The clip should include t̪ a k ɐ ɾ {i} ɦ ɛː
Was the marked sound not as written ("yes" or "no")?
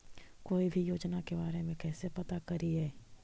no